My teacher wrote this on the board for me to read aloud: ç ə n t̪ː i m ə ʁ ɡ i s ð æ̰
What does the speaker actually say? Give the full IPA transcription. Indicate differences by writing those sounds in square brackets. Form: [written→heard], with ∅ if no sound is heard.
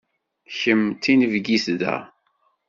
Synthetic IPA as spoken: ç ə [n→m] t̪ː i [m→n] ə [ʁ→v] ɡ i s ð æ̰